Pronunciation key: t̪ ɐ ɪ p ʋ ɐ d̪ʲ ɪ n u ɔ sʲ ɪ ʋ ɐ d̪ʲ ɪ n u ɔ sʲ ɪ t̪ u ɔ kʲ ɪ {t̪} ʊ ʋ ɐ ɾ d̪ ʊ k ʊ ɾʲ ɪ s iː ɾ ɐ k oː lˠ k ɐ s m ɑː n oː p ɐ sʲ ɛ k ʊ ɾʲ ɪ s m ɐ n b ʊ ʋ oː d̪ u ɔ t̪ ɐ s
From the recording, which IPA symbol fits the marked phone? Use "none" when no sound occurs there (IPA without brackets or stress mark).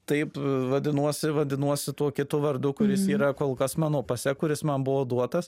t̪